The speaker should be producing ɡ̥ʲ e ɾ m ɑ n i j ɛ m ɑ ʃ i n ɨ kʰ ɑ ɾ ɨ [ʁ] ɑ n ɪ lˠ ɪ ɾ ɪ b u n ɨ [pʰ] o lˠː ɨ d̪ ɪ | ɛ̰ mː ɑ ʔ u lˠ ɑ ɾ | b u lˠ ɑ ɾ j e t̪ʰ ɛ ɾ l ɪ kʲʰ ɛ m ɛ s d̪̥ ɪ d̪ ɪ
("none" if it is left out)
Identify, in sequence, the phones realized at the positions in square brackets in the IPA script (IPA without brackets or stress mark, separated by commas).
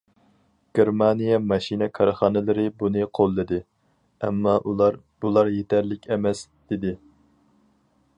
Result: χ, qʰ